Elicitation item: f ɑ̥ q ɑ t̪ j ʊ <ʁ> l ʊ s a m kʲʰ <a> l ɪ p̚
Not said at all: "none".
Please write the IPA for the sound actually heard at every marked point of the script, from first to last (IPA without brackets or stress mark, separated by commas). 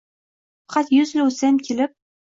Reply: z, e